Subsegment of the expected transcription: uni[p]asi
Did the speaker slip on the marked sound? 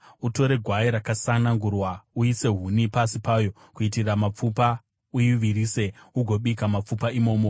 no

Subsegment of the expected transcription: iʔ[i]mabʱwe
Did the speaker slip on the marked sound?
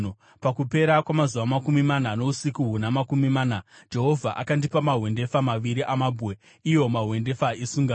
yes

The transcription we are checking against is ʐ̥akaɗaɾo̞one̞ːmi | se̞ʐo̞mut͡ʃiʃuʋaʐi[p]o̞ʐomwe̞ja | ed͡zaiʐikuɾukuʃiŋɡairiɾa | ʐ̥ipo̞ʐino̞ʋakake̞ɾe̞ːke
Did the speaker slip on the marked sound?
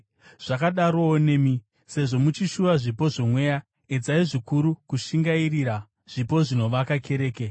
no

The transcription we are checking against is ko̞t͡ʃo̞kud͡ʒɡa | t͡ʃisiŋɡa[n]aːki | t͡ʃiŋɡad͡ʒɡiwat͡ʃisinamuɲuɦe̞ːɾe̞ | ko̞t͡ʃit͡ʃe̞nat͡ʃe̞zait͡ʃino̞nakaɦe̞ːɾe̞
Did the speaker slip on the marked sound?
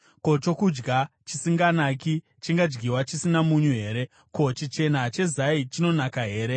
no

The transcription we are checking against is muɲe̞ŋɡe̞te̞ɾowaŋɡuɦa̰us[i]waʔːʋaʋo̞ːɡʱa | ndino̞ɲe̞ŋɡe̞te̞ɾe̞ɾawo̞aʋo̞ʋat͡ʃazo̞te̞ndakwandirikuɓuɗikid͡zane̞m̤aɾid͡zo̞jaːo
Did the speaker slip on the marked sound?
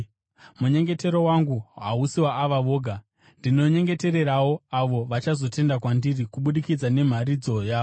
no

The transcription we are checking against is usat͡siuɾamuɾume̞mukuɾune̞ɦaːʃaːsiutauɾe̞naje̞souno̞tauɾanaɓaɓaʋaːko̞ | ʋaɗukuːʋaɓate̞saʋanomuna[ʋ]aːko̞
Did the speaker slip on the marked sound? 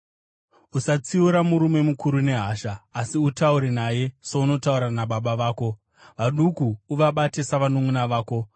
no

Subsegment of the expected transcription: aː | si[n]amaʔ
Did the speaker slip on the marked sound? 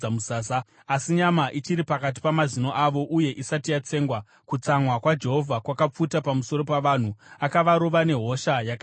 yes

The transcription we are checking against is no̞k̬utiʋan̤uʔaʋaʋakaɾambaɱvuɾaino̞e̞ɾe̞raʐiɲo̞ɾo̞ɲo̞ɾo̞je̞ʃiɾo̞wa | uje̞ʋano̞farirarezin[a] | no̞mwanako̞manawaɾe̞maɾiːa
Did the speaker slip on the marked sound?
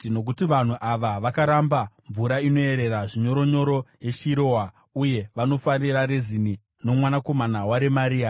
yes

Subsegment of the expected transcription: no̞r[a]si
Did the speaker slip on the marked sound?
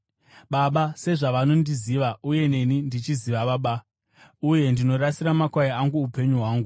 no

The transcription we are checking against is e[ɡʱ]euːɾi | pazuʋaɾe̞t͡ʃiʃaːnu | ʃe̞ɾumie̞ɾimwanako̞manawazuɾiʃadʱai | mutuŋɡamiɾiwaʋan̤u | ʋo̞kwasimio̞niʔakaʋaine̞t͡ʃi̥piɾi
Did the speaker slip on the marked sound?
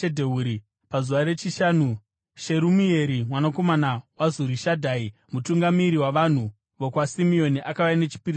yes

